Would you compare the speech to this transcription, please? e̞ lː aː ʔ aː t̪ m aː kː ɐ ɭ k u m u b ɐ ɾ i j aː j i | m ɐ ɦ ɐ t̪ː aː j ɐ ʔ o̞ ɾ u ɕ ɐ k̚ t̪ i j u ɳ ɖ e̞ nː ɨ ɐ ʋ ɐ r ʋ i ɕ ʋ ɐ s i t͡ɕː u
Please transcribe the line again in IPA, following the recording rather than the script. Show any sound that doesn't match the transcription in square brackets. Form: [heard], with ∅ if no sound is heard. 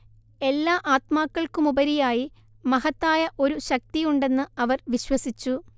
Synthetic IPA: e̞ lː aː ʔ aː t̪ m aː kː ɐ ɭ k u m u b ɐ ɾ i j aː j i | m ɐ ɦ ɐ t̪ː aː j ɐ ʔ o̞ ɾ u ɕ ɐ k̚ t̪ i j u ɳ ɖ e̞ nː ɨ ɐ ʋ ɐ r ʋ i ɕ [w] ɐ s i t͡ɕː u